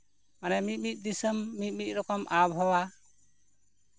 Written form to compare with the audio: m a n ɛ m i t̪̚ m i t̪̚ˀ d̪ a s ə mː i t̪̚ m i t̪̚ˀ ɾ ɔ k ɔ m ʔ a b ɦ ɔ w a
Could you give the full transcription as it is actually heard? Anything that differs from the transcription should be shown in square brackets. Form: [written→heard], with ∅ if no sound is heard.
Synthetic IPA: m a n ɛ m i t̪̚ m i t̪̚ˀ d̪ [a→i] s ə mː i t̪̚ m i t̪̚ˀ ɾ ɔ k ɔ m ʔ a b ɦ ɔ w a